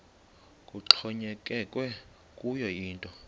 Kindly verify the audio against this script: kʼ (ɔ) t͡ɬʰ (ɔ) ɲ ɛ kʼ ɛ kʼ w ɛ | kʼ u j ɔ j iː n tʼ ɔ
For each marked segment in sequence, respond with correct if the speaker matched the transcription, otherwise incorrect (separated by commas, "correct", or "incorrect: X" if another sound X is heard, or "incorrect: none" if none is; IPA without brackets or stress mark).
incorrect: u, correct